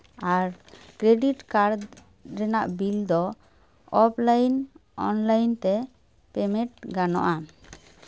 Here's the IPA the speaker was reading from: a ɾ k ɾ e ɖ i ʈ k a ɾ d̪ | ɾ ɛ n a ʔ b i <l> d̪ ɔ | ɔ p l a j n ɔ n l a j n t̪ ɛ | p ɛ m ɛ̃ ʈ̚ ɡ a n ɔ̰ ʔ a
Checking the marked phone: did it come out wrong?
no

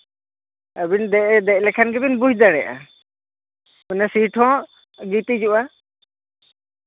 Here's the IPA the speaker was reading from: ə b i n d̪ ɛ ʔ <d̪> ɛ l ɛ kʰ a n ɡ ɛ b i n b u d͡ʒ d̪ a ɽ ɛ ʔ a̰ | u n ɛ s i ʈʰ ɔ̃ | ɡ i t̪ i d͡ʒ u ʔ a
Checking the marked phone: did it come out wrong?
no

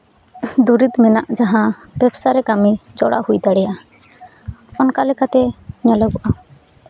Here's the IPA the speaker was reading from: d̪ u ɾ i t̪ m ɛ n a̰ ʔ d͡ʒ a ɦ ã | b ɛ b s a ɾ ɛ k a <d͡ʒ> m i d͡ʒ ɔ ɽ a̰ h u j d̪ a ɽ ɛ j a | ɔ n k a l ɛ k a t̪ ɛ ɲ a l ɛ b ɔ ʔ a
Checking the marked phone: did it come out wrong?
yes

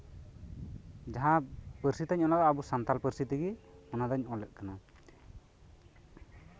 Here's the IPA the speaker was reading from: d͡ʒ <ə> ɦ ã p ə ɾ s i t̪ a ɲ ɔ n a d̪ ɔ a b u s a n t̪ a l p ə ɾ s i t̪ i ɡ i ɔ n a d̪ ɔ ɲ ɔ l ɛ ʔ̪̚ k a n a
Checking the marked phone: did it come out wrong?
yes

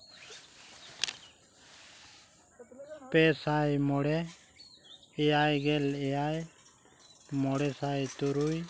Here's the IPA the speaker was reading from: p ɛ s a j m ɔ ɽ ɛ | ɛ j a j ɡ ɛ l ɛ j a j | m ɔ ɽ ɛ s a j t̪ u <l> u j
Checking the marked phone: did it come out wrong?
yes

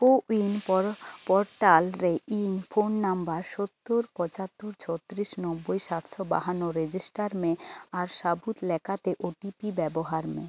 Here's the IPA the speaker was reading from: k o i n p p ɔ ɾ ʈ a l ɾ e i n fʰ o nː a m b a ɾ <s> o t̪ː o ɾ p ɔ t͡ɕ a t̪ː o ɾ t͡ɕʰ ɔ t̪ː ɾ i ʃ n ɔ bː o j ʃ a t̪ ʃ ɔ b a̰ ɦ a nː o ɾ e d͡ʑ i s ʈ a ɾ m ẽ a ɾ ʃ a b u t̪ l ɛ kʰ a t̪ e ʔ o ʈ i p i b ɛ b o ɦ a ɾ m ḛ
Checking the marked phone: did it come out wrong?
yes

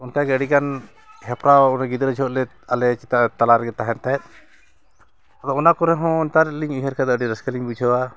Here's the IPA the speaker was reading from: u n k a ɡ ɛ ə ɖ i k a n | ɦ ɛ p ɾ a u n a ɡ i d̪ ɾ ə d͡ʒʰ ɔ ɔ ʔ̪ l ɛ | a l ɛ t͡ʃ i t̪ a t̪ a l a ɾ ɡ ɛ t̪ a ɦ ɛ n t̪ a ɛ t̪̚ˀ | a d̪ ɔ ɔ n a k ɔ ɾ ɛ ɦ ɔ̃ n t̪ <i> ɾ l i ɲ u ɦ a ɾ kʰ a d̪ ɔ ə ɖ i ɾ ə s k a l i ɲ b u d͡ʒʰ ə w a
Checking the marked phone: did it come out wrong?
yes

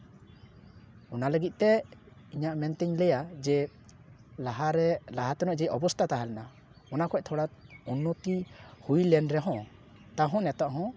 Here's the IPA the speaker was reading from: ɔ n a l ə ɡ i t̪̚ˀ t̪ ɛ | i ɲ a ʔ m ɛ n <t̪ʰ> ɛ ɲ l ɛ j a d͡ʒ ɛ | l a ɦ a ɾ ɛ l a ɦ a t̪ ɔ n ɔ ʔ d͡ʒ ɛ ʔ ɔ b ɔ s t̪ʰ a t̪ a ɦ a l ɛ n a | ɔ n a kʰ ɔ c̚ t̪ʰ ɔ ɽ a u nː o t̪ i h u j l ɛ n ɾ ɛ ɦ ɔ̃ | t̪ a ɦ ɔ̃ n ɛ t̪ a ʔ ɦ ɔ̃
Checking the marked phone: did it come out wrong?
yes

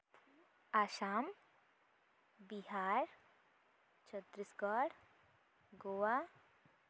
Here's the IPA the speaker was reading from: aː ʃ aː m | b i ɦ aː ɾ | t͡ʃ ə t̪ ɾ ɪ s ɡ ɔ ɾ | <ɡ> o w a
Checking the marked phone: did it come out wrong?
no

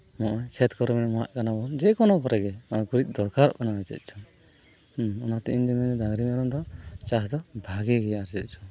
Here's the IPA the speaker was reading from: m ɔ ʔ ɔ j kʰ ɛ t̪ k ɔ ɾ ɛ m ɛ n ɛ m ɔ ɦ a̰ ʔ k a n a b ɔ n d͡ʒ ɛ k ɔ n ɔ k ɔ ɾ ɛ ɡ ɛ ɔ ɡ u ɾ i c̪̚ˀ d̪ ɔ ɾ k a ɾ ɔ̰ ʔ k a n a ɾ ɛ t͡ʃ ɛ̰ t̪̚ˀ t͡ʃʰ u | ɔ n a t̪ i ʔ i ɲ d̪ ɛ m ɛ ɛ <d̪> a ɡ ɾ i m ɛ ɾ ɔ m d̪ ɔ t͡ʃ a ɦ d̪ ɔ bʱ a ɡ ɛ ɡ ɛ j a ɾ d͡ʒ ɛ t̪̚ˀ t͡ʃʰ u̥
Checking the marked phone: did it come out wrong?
no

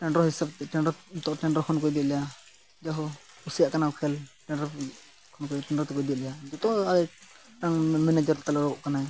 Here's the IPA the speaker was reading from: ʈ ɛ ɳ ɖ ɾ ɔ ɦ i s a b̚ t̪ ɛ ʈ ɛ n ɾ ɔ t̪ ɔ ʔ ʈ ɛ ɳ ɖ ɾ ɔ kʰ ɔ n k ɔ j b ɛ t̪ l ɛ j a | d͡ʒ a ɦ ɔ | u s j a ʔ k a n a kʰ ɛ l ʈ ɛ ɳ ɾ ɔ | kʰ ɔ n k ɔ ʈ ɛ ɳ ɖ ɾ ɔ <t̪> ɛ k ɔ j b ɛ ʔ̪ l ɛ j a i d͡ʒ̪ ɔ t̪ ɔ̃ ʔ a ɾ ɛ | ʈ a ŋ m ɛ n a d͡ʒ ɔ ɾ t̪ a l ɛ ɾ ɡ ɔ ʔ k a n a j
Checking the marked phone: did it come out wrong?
no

